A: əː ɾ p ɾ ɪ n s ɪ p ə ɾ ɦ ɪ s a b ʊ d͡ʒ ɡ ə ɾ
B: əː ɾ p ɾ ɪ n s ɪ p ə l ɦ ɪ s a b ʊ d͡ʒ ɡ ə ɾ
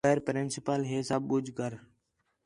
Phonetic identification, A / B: B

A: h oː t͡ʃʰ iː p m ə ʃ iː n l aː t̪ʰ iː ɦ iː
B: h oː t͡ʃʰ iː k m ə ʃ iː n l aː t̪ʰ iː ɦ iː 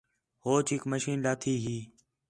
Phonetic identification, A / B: B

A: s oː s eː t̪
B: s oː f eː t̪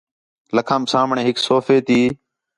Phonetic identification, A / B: B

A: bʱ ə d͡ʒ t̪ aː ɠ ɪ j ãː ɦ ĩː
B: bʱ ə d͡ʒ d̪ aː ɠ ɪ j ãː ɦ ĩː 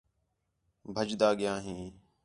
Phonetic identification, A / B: B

